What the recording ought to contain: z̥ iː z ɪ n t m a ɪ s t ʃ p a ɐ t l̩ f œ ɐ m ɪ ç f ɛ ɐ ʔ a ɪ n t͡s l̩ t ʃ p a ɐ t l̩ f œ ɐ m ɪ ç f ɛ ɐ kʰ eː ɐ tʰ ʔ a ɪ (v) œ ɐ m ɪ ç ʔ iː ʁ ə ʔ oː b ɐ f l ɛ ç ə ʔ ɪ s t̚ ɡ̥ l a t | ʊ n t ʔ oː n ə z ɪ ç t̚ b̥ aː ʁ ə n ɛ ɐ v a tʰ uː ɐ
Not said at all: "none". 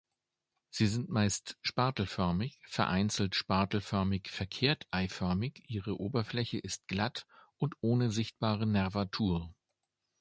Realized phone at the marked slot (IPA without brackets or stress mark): f